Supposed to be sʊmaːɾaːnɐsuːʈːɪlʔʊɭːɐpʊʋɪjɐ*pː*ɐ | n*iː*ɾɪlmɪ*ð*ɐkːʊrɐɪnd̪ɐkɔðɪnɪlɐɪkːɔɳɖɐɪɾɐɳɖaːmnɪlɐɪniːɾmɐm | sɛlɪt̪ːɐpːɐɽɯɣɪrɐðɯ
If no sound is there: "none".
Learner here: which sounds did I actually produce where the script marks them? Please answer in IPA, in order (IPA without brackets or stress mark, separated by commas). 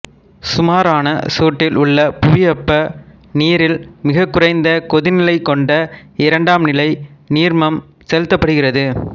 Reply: pː, iː, ɣ